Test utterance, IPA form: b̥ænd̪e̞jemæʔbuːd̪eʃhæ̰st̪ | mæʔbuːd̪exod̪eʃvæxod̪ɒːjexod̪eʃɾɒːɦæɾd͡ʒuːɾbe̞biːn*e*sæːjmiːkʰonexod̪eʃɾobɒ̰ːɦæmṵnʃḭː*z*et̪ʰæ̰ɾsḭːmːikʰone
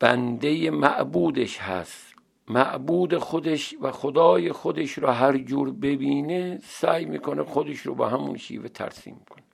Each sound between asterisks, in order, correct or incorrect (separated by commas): correct, incorrect